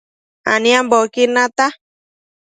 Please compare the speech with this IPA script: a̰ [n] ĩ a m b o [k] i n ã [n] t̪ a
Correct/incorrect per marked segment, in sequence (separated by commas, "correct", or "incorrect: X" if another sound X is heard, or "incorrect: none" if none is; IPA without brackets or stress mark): correct, correct, incorrect: none